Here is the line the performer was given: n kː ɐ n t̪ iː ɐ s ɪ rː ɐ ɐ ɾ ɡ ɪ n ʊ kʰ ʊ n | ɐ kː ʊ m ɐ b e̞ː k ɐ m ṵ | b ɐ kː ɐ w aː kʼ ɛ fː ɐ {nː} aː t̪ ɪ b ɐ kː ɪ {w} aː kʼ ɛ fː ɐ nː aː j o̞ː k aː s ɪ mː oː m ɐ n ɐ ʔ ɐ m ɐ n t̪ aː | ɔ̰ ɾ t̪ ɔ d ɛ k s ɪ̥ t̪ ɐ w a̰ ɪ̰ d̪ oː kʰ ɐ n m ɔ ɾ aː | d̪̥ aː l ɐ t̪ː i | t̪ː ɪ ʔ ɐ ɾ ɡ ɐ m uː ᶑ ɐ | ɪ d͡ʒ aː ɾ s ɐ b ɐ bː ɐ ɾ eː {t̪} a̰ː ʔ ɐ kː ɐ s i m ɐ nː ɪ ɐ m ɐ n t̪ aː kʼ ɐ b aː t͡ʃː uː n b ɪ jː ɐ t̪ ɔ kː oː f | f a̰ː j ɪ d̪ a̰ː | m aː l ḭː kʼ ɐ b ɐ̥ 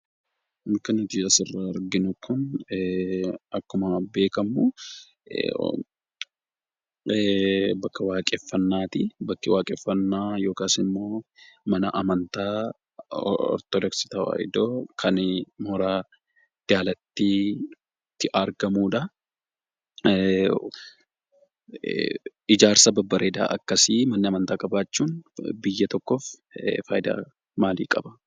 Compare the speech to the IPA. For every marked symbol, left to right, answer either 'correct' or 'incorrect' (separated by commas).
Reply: correct, correct, incorrect